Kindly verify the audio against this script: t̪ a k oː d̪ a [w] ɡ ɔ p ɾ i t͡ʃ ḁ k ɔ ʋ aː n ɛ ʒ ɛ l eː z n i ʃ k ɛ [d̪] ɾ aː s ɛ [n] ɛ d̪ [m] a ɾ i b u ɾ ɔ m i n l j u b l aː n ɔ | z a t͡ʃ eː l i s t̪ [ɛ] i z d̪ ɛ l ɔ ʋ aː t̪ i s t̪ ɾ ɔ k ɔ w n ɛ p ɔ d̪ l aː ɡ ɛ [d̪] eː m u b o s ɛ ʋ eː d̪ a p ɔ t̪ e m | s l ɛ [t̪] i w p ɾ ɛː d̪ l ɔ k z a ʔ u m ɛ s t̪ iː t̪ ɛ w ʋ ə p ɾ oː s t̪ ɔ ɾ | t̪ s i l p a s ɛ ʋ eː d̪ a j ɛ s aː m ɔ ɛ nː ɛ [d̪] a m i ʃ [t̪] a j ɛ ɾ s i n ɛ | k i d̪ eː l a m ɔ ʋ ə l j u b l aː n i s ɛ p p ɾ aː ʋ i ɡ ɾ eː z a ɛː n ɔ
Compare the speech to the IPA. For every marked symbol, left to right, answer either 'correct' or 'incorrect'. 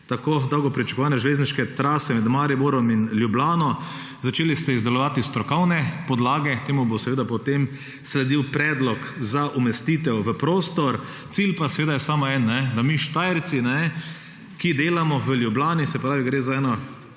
correct, incorrect, incorrect, correct, correct, incorrect, incorrect, correct, correct

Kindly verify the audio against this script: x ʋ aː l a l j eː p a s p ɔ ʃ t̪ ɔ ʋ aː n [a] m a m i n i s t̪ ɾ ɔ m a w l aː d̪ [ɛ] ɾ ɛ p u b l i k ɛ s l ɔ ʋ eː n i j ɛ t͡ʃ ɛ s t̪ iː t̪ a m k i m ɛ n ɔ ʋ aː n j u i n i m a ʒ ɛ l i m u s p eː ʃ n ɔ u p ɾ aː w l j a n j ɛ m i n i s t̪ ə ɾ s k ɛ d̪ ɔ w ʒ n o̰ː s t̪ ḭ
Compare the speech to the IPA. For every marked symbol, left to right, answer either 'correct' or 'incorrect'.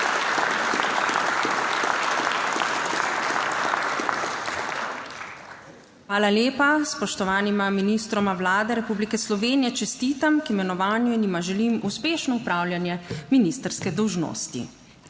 incorrect, correct

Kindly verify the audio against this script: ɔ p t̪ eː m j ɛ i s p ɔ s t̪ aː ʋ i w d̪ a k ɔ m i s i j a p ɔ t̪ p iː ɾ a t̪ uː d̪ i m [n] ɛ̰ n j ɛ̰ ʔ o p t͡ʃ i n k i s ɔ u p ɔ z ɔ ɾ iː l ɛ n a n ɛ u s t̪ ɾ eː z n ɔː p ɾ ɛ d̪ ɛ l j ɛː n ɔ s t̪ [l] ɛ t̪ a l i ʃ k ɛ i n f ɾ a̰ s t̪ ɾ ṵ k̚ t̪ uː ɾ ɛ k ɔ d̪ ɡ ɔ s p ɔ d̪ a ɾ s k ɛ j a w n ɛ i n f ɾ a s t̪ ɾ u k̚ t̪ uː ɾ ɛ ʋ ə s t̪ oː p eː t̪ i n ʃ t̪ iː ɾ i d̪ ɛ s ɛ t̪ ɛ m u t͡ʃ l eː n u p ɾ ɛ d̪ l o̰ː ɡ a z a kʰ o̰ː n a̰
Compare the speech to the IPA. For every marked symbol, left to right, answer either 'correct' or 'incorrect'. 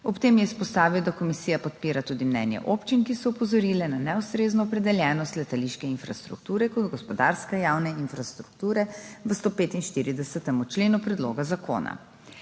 correct, correct

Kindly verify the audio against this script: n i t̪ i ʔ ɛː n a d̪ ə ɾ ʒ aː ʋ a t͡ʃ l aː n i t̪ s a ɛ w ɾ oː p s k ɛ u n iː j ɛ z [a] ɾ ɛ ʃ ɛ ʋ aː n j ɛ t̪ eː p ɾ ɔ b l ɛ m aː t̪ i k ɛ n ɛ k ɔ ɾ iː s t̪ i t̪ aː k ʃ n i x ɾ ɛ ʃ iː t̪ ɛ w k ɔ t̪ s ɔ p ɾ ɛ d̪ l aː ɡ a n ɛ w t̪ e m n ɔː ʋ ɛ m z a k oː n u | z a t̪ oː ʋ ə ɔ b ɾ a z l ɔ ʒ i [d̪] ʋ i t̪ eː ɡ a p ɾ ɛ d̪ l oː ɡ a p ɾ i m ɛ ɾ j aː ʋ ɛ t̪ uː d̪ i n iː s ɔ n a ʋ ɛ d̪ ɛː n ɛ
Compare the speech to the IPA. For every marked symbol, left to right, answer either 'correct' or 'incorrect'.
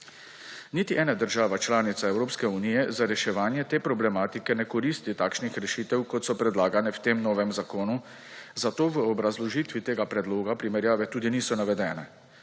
correct, incorrect

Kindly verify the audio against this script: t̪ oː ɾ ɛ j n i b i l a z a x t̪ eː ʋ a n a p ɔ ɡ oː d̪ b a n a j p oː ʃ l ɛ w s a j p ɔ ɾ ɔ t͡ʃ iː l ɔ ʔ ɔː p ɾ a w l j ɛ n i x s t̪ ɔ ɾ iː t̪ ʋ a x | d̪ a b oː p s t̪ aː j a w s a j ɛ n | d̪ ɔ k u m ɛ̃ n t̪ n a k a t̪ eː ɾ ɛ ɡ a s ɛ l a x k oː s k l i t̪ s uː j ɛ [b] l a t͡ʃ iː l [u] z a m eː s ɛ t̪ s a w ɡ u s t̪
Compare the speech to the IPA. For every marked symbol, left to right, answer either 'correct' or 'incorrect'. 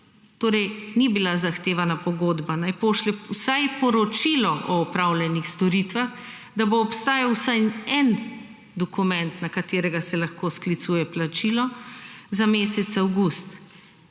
incorrect, incorrect

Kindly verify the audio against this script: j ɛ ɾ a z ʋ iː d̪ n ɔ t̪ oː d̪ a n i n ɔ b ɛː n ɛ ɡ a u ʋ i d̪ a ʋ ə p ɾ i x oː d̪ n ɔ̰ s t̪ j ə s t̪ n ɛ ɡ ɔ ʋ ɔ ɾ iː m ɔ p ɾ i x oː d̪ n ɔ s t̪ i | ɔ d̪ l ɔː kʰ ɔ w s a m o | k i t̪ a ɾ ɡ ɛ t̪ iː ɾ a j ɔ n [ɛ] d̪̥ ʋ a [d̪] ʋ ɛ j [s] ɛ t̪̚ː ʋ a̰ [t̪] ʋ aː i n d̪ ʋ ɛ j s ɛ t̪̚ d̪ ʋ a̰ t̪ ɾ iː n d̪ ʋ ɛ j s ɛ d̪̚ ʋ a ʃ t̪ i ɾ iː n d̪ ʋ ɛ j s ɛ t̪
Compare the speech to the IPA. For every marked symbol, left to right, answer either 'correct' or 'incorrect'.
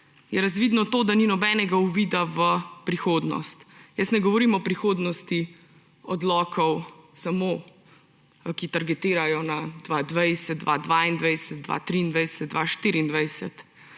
incorrect, correct, correct, incorrect

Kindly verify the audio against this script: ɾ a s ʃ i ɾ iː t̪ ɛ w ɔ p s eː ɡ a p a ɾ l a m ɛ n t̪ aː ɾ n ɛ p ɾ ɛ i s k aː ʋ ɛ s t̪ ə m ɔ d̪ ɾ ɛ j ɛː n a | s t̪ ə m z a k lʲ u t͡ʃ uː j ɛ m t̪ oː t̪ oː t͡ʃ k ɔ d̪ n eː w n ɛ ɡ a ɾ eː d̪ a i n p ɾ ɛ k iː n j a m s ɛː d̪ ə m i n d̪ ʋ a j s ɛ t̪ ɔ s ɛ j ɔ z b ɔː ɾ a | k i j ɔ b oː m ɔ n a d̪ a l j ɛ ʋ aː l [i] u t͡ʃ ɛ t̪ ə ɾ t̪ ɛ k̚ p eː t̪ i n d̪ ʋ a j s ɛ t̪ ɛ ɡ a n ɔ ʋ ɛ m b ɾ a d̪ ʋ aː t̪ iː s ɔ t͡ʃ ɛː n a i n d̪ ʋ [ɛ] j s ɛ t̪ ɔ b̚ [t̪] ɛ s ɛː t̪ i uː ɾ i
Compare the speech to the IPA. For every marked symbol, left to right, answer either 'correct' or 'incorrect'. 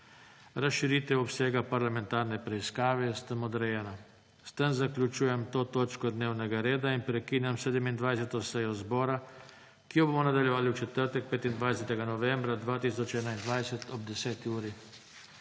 correct, incorrect, incorrect

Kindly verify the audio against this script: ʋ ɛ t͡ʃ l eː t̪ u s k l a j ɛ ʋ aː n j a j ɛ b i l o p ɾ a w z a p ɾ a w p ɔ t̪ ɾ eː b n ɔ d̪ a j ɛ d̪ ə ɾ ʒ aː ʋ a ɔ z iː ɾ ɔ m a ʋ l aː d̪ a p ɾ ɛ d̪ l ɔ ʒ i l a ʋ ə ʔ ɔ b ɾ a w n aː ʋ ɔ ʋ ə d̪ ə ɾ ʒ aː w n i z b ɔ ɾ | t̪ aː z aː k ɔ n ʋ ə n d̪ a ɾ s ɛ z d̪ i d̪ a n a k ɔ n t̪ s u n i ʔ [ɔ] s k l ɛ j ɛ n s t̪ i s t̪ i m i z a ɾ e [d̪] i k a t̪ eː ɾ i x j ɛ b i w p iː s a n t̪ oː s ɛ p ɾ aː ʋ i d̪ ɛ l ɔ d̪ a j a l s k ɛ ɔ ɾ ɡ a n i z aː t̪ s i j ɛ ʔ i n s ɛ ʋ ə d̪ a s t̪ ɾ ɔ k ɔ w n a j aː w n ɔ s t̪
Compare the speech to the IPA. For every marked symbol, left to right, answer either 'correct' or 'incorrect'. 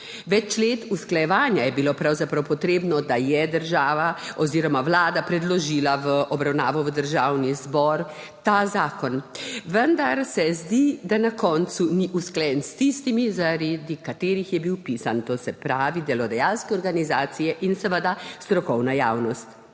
incorrect, correct

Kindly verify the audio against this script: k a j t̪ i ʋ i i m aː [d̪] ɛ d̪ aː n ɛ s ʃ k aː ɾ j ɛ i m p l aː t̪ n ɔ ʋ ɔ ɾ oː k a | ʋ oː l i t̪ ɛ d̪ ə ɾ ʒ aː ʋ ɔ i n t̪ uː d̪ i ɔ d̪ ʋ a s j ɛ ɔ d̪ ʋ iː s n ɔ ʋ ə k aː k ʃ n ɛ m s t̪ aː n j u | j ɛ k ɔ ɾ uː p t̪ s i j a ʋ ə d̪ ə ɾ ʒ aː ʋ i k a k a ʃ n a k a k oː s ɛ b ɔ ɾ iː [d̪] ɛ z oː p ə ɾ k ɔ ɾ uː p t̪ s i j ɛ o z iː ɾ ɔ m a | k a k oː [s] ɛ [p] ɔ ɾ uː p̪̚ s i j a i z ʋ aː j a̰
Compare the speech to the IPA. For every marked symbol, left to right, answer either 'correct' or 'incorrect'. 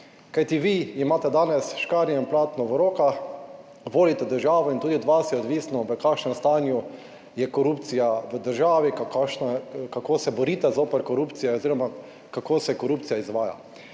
incorrect, incorrect, correct, incorrect

